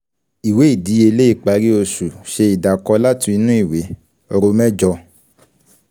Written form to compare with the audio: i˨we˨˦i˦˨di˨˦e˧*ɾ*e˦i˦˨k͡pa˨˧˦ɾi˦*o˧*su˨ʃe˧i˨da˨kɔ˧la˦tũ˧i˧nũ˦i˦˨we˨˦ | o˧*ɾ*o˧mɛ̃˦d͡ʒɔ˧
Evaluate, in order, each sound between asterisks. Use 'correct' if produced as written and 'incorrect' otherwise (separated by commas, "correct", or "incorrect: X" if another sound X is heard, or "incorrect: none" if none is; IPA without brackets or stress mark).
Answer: incorrect: l, correct, correct